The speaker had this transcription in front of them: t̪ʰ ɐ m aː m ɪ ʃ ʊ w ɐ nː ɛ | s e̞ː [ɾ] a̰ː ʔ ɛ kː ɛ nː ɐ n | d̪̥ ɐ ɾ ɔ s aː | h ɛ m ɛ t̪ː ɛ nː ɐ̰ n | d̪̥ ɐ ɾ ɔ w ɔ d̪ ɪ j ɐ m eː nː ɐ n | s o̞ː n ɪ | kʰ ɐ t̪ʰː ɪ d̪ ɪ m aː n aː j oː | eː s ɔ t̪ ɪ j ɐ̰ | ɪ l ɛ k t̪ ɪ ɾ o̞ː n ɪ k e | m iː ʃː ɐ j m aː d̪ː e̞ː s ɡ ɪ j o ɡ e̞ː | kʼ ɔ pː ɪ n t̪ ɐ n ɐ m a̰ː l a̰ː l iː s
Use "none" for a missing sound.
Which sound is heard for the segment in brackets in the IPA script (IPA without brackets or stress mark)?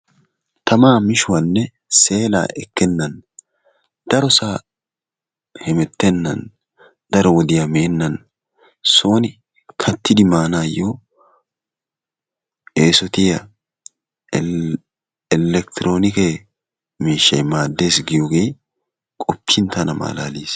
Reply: l